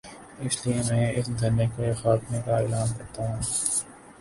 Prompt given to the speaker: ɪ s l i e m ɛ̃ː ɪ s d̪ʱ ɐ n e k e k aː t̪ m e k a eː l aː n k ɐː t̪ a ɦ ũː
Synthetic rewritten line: ɪ s l i e m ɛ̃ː ɪ s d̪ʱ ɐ n e k e x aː t̪ m e k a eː l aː n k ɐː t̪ a ɦ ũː